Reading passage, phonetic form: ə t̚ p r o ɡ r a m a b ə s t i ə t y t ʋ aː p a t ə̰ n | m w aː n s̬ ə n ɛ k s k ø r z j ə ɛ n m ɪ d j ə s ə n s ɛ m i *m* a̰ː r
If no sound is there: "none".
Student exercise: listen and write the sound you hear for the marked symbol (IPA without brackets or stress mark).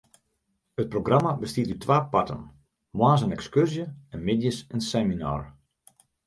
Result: n